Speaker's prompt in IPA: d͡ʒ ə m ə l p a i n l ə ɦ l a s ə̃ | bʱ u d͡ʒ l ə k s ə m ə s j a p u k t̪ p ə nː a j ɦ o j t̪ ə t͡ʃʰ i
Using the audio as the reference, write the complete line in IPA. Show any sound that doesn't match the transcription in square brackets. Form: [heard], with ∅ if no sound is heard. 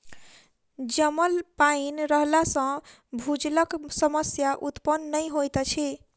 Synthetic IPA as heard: d͡ʒ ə m ə l p a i n [ɾ] ə ɦ l a s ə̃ | bʱ u d͡ʒ l ə k s ə m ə s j a [ʔ] u [∅] t̪ p ə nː [ə] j ɦ o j t̪ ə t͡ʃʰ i